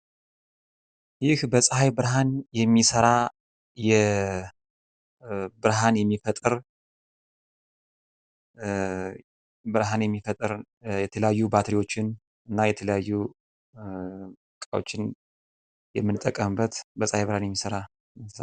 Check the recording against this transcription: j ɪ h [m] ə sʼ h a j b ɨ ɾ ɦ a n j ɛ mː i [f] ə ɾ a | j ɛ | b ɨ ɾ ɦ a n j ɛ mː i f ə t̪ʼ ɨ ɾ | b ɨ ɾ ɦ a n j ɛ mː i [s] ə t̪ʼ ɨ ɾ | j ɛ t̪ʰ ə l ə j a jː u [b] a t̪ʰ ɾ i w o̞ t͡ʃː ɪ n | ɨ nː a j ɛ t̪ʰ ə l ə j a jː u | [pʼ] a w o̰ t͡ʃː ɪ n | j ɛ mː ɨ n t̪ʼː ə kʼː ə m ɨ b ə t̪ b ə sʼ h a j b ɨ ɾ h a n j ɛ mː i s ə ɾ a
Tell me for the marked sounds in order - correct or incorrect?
incorrect: b, incorrect: s, incorrect: f, correct, incorrect: kʼ

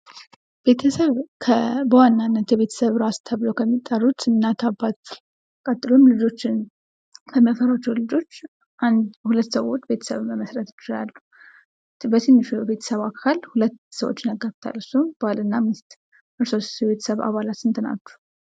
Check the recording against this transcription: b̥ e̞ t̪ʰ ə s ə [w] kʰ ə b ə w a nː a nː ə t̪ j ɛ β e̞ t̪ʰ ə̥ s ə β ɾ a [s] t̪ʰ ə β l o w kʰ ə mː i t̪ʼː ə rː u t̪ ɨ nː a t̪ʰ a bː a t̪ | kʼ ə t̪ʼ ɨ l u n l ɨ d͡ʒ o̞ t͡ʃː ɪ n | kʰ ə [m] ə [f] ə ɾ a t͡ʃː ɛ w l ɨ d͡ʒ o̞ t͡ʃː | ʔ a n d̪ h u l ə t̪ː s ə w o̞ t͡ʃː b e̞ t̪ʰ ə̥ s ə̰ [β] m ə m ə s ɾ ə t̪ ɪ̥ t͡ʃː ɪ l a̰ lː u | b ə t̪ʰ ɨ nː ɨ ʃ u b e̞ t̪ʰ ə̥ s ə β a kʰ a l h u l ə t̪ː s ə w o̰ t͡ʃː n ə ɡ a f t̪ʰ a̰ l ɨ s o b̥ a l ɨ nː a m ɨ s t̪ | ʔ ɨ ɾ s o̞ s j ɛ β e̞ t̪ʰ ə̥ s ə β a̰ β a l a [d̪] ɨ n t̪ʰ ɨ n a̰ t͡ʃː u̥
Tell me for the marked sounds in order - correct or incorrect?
incorrect: β, correct, correct, correct, correct, incorrect: t̪

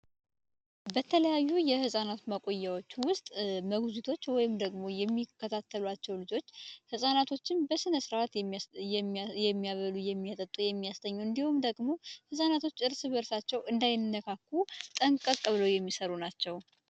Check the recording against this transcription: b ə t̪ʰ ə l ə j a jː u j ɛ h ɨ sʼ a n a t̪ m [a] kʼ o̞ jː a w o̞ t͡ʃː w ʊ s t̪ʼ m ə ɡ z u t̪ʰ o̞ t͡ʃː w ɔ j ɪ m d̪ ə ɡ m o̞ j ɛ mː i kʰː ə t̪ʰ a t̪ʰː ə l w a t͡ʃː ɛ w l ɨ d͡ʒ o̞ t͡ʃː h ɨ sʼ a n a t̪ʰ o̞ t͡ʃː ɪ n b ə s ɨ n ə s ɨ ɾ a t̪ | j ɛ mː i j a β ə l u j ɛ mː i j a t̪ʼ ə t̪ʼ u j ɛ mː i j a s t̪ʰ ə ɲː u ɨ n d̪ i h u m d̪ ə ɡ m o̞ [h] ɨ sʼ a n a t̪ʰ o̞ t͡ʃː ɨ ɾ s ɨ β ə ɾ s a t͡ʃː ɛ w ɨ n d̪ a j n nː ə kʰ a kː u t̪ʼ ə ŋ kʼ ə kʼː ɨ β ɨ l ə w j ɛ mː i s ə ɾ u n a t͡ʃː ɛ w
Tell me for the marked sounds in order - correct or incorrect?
incorrect: ə, correct

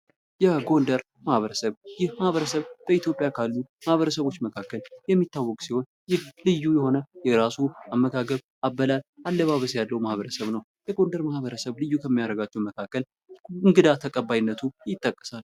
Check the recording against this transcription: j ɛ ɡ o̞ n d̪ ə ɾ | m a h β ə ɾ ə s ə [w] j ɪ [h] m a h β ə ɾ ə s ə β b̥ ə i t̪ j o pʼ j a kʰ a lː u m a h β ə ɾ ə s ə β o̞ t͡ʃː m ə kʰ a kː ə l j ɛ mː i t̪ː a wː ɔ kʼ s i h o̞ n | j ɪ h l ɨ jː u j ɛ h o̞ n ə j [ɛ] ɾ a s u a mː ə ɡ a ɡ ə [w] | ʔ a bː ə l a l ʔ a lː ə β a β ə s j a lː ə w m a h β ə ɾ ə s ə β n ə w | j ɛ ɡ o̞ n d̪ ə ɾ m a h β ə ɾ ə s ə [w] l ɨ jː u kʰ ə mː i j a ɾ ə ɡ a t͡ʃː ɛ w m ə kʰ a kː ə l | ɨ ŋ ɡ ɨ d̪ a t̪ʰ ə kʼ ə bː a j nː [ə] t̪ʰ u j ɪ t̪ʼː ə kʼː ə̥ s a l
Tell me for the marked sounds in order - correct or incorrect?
incorrect: β, correct, correct, incorrect: β, incorrect: β, correct

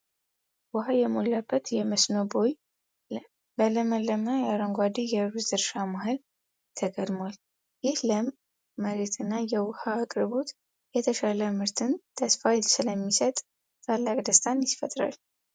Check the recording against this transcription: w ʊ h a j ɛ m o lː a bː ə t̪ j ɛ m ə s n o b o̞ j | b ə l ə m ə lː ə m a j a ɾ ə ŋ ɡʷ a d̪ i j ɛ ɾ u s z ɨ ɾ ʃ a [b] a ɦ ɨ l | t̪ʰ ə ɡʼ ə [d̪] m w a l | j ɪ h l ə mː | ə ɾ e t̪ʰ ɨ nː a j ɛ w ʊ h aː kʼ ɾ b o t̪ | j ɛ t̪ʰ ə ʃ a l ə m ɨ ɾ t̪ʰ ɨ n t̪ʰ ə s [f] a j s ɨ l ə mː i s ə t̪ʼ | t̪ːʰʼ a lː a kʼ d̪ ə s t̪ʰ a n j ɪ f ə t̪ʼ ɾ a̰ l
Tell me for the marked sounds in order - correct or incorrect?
incorrect: m, correct, correct

